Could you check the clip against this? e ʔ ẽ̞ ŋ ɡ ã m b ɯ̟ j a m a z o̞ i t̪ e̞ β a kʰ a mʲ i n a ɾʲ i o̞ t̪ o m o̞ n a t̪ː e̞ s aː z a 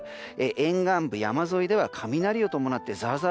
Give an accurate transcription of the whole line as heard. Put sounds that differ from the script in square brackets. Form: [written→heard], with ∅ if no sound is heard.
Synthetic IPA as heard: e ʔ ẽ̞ ŋ ɡ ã m b ɯ̟ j a m a z o̞ i [t̪→d̪] e̞ β a kʰ a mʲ i n a ɾʲ i o̞ t̪ o m o̞ n a t̪ː e̞ [s→z] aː z a